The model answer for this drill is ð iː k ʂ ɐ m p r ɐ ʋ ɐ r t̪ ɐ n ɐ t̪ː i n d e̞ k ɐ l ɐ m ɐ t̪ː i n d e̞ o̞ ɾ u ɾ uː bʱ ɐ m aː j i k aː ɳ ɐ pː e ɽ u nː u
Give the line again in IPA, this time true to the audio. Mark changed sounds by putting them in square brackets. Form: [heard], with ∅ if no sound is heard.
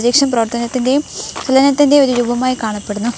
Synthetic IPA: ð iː k ʂ ɐ m p r ɐ ʋ ɐ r t̪ ɐ n ɐ t̪ː i n d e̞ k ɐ l ɐ [n] ɐ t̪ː i n d e̞ o̞ ɾ u ɾ uː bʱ ɐ m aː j i k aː ɳ ɐ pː e ɽ u nː u